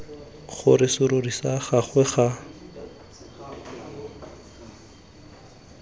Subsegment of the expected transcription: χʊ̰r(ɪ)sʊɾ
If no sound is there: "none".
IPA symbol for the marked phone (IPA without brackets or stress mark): ɪ